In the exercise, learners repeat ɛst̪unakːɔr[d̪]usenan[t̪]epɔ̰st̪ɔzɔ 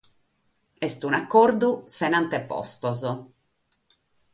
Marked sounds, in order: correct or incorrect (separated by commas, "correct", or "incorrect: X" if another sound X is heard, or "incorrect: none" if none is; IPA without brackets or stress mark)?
correct, correct